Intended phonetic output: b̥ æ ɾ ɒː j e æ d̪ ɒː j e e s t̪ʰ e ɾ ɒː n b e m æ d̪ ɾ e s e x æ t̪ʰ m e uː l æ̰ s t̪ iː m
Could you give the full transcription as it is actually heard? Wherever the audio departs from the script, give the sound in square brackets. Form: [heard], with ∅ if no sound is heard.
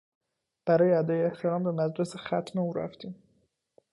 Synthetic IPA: b̥ æ ɾ ɒː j e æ d̪ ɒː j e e [h] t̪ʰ e ɾ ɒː [m] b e m æ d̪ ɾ e s e x æ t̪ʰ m e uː [ɾ] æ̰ [f] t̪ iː m